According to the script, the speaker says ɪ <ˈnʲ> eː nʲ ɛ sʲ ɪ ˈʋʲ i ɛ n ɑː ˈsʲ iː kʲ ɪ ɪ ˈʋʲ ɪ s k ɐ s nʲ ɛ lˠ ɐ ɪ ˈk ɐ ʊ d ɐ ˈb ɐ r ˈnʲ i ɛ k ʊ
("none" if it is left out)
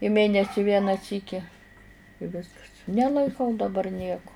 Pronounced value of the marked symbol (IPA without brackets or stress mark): mʲ